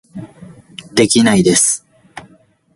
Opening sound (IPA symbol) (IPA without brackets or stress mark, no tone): d̪